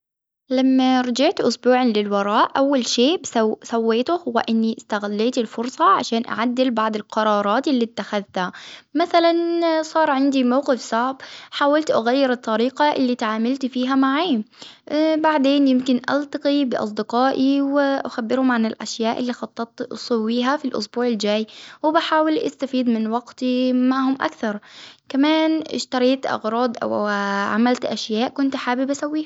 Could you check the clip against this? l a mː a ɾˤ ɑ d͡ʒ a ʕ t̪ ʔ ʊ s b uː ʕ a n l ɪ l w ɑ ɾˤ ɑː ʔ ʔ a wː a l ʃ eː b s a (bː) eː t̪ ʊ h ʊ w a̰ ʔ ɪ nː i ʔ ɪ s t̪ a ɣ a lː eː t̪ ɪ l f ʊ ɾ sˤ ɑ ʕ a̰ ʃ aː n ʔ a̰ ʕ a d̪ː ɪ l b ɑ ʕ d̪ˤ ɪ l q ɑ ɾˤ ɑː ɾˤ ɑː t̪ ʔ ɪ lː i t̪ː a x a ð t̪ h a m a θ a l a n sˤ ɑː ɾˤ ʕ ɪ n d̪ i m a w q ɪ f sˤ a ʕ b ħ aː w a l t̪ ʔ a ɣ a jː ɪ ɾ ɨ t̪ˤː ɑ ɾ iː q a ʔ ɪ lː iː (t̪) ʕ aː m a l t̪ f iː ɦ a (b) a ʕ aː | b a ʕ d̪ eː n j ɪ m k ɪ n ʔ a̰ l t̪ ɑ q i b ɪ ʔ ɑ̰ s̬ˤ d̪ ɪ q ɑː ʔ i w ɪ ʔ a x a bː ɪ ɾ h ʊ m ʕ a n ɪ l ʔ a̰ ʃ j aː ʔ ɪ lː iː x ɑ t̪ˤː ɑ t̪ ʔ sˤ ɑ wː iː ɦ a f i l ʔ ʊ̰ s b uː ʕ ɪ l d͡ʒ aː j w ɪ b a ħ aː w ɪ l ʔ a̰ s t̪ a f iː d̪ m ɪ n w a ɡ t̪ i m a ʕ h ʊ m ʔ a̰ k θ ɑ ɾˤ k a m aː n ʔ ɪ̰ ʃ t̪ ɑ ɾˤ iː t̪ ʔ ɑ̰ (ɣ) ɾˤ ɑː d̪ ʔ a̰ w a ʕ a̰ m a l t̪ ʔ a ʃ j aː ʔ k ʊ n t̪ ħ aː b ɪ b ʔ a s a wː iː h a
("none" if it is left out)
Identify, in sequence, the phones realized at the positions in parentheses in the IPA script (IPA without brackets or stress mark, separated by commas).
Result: wː, t̪, m, ɣ